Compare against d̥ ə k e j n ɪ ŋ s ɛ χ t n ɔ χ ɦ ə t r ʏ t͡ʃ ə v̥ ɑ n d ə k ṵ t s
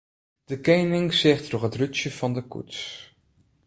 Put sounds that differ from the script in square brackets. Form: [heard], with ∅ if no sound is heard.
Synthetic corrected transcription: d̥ ə k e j n ɪ ŋ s ɛ χ t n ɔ χ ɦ ə t r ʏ t͡ʃ ə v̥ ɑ n d ə k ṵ t s